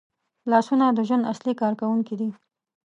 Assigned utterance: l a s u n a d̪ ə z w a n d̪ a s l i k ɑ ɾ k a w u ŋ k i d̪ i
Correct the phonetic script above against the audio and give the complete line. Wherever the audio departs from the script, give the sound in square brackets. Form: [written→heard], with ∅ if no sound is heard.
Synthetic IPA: l [a→ɑ] s u n a d̪ ə [z→ʒ] w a n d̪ a s l i k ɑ ɾ k a w u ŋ k i d̪ i

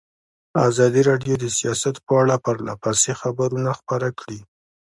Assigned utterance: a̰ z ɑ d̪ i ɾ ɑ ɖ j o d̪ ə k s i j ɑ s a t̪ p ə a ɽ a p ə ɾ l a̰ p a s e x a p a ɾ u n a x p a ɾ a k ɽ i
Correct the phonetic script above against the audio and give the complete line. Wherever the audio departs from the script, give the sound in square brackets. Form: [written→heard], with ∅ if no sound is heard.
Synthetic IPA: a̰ z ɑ d̪ i ɾ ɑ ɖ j o d̪ ə [k→∅] s i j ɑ s a t̪ p ə a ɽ a p ə ɾ l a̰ p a s e x a [p→b] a ɾ u n a x p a ɾ a k ɽ i

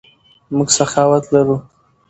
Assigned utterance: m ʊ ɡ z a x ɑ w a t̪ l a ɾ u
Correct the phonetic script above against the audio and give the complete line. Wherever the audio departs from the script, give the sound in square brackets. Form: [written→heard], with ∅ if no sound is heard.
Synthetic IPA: m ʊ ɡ [z→s] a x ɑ w a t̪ l a ɾ u

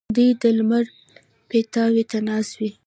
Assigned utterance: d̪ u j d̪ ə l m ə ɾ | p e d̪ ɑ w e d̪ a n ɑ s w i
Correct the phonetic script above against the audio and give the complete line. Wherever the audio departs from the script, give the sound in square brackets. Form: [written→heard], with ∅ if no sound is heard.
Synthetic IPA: d̪ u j d̪ ə l m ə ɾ | p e [d̪→t̪] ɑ w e [d̪→t̪] a n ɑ s w i

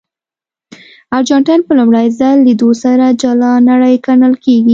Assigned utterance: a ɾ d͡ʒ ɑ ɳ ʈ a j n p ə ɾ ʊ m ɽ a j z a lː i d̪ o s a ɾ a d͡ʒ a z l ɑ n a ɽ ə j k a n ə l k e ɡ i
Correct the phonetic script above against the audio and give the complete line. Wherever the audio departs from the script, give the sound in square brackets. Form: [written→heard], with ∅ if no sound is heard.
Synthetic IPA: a ɾ d͡ʒ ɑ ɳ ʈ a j n p ə [ɾ→l] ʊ m ɽ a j z a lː i d̪ o s a ɾ a d͡ʒ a [z→∅] l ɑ n a ɽ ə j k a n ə l k e ɡ i

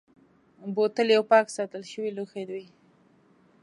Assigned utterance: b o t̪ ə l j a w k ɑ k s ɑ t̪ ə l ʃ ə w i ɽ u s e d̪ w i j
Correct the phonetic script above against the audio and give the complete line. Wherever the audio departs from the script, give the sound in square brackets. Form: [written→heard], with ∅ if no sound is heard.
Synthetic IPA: b o t̪ ə l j a w [k→p] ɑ k s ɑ t̪ ə l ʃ ə w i [ɽ→l] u [s→x] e d̪ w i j

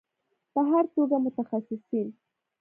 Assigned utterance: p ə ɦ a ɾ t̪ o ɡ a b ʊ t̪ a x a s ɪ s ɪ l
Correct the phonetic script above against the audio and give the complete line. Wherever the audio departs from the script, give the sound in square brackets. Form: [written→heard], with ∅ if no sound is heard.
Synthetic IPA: p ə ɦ a ɾ t̪ o ɡ a [b→m] ʊ t̪ a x a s ɪ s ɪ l

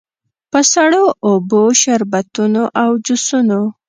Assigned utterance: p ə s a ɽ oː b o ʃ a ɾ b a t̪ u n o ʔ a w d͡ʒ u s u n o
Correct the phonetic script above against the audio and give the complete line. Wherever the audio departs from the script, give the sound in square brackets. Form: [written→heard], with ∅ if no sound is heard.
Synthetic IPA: p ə s a ɽ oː b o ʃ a ɾ b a t̪ u n o ʔ a w d͡ʒ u s u n o

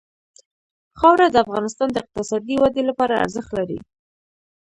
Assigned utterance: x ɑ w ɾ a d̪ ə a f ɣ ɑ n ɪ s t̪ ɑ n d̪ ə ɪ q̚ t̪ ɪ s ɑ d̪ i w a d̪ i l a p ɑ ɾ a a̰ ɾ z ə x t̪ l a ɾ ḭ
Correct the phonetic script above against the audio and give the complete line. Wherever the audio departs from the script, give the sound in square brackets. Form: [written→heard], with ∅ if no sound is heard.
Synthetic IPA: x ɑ w ɾ a d̪ ə a f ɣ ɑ n ɪ s t̪ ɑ n d̪ ə ɪ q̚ t̪ ɪ s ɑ d̪ i w a d̪ [i→e] l a p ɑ ɾ a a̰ ɾ z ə x t̪ l a ɾ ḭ

